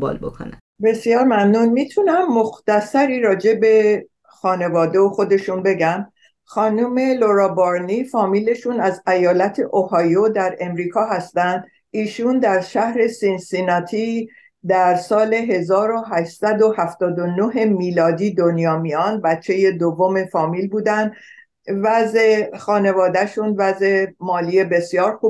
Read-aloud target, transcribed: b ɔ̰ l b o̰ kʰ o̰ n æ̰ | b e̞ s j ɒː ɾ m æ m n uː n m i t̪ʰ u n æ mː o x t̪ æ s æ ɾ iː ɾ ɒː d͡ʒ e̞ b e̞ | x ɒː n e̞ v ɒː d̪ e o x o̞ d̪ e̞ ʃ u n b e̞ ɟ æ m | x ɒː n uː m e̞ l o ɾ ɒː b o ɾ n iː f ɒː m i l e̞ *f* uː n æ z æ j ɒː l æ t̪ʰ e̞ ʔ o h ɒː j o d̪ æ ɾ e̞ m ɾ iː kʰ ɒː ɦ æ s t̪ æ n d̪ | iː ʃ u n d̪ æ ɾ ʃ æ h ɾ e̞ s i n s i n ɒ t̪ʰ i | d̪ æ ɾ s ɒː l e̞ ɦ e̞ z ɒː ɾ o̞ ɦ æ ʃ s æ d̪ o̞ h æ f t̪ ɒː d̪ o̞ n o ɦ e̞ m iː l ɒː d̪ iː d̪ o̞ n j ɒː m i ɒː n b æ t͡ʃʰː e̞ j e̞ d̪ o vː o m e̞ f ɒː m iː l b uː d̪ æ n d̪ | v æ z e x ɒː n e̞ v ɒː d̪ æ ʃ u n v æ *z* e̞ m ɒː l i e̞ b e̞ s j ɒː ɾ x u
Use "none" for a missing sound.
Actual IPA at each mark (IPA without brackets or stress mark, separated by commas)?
ʃ, z